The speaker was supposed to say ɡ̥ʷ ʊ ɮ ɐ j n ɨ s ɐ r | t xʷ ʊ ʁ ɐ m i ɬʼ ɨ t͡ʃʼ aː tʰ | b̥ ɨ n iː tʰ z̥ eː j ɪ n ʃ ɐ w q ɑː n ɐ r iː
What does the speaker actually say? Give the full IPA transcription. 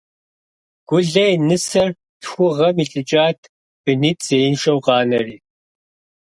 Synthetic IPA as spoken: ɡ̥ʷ ʊ ɮ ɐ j n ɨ s ɐ r | t xʷ ʊ ʁ ɐ m i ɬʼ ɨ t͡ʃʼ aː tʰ | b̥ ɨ n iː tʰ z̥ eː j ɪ n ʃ ɐ w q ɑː n ɐ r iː